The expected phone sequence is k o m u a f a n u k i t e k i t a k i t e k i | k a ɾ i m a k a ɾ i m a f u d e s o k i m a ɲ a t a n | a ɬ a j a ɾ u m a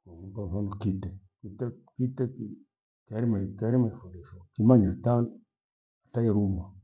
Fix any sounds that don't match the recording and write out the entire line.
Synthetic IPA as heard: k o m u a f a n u k i t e k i t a k i t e k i | k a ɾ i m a k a ɾ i m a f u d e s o k i m a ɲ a t a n | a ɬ a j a ɾ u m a